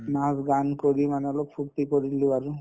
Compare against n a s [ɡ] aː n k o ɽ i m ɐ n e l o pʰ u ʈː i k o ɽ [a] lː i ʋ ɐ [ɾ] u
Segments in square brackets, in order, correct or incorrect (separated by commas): correct, incorrect, correct